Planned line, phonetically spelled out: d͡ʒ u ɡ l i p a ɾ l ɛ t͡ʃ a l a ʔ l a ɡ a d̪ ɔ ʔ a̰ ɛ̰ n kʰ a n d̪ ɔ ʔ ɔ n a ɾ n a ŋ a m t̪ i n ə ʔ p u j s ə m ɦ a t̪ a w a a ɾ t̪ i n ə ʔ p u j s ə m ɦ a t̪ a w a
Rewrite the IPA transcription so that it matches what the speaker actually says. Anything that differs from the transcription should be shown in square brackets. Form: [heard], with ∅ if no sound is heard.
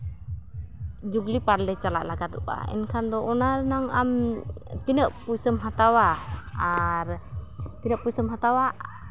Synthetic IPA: d͡ʒ u ɡ l i p a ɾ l ɛ t͡ʃ a l a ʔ l a ɡ a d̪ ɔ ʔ a̰ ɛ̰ n kʰ a n d̪ ɔ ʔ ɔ n a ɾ n a ŋ a m t̪ i n ə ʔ p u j s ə m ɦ a t̪ a w a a ɾ t̪ i n ə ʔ p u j s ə m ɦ a t̪ a w a